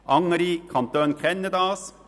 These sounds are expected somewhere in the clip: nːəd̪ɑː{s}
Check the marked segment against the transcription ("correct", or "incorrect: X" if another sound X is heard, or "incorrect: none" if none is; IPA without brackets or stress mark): correct